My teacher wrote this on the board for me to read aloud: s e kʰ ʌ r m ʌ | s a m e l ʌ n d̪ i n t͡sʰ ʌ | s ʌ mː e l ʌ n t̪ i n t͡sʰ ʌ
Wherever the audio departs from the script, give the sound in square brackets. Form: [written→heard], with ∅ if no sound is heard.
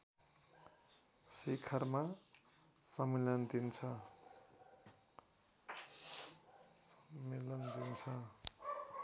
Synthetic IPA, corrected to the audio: s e kʰ ʌ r m [ʌ→a] | s [a→ʌ] m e l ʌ n d̪ i n t͡sʰ ʌ | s ʌ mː e l ʌ n [t̪→d̪] i n t͡sʰ ʌ